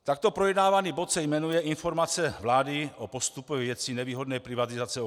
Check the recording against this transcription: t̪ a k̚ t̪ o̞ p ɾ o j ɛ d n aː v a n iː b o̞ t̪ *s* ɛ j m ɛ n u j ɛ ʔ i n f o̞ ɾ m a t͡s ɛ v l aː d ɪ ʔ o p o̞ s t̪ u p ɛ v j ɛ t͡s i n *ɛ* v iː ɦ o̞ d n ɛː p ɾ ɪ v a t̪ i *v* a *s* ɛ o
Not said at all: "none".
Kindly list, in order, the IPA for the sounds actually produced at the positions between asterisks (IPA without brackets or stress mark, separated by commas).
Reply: s, ɛ, z, t͡s